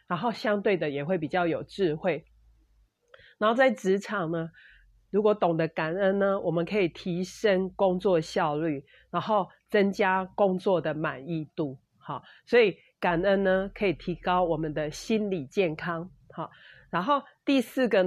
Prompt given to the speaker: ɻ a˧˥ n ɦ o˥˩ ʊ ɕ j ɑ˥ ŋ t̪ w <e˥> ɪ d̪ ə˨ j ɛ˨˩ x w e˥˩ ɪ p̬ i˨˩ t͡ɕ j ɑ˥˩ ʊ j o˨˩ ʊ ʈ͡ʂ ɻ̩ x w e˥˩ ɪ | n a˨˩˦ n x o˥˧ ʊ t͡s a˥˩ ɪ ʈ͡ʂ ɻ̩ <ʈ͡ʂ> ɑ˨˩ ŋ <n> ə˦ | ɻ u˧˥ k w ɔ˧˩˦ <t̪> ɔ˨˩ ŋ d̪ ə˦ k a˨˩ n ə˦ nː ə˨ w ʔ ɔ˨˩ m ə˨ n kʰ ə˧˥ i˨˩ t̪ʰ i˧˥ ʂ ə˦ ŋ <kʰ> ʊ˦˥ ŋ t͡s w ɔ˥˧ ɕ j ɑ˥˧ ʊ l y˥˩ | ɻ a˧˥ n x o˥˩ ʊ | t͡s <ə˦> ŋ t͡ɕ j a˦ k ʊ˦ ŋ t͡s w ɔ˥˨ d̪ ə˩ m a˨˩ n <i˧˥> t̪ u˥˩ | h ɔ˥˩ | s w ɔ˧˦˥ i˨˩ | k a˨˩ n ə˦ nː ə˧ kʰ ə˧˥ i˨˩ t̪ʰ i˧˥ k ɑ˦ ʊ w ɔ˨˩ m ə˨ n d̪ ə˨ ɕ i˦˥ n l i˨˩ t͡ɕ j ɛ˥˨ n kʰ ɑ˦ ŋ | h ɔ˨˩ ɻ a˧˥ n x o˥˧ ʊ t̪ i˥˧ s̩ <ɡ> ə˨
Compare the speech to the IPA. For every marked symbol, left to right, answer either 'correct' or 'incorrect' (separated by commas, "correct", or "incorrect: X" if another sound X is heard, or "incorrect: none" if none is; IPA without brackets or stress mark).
incorrect: e˥˩, incorrect: ʈ͡ʂʰ, correct, correct, incorrect: k, correct, incorrect: i˥˧, correct